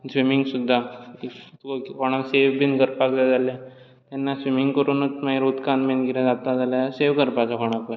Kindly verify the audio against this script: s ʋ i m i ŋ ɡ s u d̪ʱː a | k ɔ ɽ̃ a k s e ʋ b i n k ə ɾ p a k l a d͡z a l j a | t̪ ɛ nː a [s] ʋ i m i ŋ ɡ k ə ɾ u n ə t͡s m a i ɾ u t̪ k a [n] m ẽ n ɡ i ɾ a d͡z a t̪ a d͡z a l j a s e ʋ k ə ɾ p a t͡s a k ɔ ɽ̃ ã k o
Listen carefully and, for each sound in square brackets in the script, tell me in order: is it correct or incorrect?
correct, correct

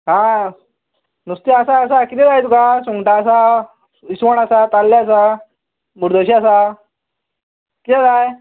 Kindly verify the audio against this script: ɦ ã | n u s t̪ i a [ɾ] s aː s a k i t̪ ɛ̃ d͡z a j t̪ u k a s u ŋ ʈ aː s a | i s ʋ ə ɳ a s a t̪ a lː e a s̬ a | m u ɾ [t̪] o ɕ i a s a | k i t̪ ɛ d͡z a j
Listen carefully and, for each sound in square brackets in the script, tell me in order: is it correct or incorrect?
incorrect: none, incorrect: d̪

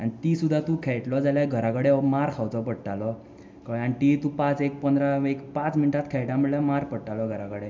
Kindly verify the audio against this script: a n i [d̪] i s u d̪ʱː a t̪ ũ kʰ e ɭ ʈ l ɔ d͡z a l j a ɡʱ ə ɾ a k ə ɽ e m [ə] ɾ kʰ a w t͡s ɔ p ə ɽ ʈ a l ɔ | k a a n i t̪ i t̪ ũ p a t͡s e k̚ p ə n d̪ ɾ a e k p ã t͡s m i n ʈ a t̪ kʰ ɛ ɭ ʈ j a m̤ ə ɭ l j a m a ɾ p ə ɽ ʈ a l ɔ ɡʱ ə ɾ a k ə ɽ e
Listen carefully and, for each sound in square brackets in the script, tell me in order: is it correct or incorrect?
incorrect: t̪, incorrect: a

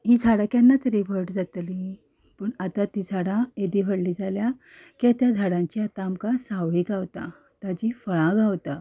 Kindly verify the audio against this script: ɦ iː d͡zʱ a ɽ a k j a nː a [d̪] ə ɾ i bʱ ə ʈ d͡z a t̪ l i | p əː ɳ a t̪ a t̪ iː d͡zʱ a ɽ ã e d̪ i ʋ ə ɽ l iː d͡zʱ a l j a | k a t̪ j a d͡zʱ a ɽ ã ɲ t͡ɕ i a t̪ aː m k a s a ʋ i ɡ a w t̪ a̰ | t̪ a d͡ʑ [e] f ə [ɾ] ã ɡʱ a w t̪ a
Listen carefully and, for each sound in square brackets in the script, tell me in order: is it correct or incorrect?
incorrect: t̪, incorrect: i, incorrect: ɭ

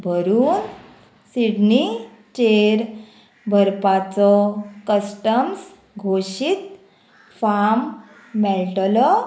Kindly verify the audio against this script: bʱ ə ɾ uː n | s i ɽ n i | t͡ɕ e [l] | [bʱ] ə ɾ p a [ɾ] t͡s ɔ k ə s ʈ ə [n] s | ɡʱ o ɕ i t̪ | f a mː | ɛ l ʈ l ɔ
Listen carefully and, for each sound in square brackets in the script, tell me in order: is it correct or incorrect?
incorrect: ɾ, correct, incorrect: none, incorrect: m

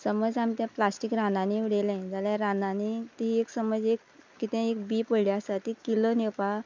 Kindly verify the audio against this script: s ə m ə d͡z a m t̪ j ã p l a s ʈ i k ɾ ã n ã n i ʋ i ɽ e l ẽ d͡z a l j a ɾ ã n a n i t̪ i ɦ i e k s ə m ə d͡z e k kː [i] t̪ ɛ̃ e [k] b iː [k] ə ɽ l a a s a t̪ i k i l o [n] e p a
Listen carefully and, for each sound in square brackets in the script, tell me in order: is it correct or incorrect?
correct, correct, incorrect: p, correct

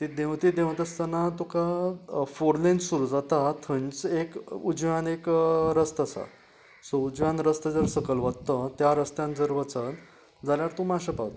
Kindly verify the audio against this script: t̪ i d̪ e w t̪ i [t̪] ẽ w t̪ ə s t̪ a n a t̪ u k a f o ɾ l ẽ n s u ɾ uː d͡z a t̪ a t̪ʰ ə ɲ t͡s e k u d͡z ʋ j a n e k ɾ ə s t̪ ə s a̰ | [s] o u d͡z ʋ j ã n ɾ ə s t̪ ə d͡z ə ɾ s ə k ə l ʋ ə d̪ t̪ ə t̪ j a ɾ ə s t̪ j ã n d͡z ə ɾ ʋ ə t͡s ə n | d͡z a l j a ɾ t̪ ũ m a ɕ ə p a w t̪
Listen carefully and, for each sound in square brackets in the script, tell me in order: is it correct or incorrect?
incorrect: d̪, correct

